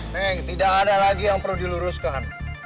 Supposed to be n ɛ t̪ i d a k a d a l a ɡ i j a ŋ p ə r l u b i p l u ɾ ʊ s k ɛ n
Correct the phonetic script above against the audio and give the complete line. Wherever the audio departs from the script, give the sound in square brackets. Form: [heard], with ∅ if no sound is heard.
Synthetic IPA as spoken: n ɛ t̪ i d a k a d a l a ɡ i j a ŋ p ə r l u [d] i [∅] l u ɾ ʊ s k [a] n